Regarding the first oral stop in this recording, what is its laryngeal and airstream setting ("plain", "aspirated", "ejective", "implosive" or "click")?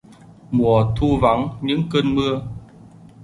aspirated